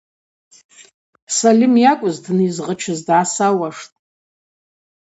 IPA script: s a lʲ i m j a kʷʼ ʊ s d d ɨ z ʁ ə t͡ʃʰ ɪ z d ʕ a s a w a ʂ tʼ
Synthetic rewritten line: s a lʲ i m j a kʷʼ ʊ z d n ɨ z ʁ ə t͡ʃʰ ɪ z d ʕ a s a w a ʂ tʼ